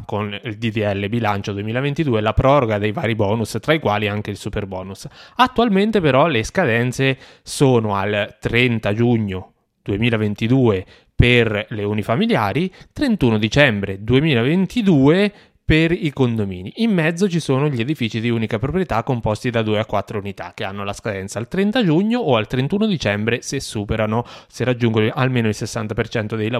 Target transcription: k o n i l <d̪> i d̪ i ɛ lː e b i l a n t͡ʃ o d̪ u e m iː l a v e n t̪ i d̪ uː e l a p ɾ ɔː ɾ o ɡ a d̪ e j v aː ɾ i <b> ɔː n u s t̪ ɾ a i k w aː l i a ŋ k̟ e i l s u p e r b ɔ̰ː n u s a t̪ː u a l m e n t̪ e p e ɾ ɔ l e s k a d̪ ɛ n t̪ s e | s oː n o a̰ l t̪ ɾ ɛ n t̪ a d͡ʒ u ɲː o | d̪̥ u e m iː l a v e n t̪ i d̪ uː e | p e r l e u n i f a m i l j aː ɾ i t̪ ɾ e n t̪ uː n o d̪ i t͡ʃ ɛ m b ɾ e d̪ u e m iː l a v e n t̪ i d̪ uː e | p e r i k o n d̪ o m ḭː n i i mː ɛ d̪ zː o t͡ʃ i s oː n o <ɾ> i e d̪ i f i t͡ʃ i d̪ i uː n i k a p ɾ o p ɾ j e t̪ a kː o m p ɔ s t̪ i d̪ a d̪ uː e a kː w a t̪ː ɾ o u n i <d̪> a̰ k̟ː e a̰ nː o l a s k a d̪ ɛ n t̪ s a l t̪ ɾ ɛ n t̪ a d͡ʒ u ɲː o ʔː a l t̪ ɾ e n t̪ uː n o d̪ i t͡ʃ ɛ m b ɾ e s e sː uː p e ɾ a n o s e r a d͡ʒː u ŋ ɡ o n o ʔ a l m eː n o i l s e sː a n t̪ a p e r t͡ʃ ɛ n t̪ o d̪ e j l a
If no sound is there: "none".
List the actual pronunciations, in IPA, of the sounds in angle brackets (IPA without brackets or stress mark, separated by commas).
d̪, b, ʎ, t̪